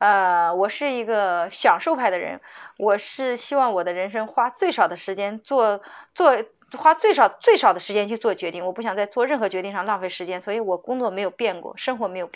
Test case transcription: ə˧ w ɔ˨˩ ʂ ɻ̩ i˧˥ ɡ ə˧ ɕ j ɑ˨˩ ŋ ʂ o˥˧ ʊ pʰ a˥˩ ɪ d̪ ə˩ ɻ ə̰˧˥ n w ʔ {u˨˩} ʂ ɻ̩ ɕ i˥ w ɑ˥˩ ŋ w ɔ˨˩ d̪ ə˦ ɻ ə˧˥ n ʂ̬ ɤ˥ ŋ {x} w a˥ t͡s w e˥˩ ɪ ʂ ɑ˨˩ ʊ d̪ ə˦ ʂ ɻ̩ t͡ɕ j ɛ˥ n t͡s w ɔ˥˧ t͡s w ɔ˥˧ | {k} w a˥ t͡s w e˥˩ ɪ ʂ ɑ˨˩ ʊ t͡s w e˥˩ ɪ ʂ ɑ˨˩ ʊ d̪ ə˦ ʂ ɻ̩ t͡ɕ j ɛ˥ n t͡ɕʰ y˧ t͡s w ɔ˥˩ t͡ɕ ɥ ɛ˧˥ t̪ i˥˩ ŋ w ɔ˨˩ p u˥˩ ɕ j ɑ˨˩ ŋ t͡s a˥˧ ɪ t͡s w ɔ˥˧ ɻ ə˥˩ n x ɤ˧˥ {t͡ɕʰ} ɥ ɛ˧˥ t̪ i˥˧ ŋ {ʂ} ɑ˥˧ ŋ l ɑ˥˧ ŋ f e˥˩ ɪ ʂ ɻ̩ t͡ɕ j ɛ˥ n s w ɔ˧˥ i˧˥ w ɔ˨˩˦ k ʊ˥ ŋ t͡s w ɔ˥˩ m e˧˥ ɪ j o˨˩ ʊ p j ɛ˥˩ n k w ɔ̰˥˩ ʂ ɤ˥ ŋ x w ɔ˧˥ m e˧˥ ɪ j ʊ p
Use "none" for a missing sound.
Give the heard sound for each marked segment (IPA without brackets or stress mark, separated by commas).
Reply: ɔ˨˩, x, x, t͡ɕ, ʂ